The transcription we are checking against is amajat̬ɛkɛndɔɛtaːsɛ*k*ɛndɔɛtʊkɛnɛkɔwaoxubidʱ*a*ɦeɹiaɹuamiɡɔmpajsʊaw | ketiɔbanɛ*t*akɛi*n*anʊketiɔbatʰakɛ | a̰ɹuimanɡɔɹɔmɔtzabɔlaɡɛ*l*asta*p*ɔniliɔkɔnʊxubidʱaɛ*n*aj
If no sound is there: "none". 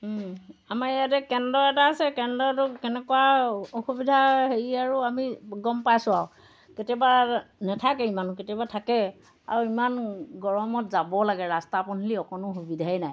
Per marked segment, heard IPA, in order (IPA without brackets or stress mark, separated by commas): k, a, tʰ, m, ɹ, p, n